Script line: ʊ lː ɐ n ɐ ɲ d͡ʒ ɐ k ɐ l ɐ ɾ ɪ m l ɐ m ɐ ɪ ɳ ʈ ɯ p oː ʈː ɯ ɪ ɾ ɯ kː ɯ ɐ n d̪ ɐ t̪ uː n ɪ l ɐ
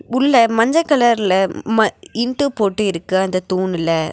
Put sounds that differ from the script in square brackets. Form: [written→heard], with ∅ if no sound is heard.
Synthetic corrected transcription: ʊ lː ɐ [n→m] ɐ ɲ d͡ʒ ɐ k ɐ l ɐ ɾ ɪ [m→∅] l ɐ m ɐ ɪ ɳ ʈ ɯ p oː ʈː ɯ ɪ ɾ ɯ kː ɯ ɐ n d̪ ɐ t̪ uː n ɪ l ɐ